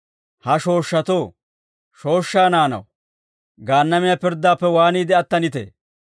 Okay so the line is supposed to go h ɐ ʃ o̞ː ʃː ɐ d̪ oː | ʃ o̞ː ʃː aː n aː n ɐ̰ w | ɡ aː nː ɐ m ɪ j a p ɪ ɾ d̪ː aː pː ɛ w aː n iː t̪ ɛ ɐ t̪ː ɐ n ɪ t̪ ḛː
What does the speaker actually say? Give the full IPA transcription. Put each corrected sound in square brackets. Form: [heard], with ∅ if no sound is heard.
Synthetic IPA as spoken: h ɐ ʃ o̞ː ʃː ɐ [t̪] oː | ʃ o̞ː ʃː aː n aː n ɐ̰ w | ɡ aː nː ɐ m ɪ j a p ɪ ɾ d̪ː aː pː ɛ w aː n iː [d̪] ɛ ɐ t̪ː ɐ n ɪ t̪ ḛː